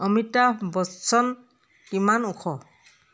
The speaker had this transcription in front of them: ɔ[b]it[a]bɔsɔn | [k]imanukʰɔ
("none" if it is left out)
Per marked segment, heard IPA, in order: m, a, k

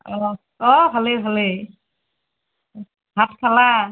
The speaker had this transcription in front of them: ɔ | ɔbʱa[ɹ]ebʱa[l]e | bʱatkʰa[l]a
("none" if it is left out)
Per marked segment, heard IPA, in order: l, l, l

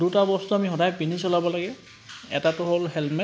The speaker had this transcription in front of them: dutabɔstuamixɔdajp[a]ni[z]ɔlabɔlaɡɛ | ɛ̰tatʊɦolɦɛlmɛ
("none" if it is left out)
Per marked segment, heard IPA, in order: i, s

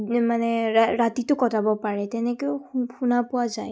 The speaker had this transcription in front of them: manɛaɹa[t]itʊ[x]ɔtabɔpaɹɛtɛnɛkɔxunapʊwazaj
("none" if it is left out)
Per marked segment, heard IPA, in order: t, k

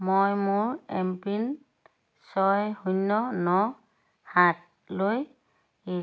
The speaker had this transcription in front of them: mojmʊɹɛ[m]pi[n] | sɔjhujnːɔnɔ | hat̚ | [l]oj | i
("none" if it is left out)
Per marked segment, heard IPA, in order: m, n, l

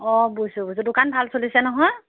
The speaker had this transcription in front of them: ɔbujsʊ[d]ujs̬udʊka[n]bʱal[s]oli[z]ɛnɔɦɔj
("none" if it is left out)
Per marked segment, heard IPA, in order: b, n, s, s

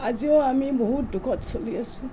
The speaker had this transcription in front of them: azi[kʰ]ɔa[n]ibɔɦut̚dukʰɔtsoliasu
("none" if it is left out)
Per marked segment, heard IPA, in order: none, m

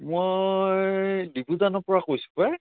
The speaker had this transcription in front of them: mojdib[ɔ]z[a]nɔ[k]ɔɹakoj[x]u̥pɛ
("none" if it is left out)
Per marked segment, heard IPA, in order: u, a, p, s

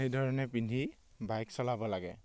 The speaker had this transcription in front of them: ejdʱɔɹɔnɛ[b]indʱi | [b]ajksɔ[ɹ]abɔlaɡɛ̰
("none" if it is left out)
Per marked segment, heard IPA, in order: p, b, l

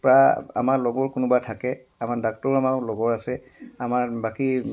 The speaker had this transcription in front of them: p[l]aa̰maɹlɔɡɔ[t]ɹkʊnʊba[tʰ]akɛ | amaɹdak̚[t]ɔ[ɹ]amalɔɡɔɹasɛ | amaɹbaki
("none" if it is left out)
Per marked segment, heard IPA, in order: ɹ, none, tʰ, t, ɹ

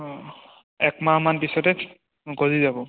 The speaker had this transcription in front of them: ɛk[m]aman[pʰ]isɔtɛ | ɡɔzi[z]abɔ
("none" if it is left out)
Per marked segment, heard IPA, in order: m, p, z

